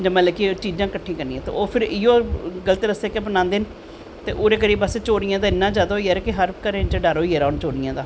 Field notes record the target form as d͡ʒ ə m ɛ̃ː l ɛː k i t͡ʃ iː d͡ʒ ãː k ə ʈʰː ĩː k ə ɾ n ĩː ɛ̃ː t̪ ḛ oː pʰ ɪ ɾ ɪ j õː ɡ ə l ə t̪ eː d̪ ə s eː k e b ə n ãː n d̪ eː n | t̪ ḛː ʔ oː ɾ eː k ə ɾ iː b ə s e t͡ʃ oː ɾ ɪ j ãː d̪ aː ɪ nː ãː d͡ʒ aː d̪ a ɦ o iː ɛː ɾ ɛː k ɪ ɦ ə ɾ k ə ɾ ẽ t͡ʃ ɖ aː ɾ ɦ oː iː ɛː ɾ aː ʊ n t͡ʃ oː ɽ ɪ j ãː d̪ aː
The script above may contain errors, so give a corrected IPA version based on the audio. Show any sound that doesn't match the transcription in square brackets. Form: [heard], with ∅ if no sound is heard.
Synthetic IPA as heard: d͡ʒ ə m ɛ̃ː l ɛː k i t͡ʃ iː d͡ʒ ãː k ə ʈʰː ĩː k ə ɾ n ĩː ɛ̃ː t̪ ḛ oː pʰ ɪ ɾ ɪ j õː ɡ ə l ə t̪ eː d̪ ə s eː k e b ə n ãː n d̪ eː n | t̪ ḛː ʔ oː ɾ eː k ə ɾ iː b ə s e t͡ʃ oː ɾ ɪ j ãː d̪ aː ɪ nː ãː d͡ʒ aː d̪ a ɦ o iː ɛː ɾ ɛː k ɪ ɦ ə ɾ k ə ɾ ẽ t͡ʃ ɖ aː ɾ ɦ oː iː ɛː ɾ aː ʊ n t͡ʃ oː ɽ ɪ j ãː d̪ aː